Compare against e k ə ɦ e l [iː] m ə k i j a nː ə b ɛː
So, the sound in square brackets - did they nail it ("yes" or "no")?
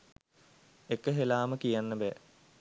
no